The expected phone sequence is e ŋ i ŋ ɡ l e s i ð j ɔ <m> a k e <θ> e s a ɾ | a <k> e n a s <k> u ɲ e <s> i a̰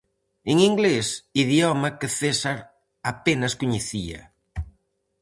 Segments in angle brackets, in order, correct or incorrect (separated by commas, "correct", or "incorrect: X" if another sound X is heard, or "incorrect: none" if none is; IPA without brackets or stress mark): correct, correct, incorrect: p, correct, incorrect: θ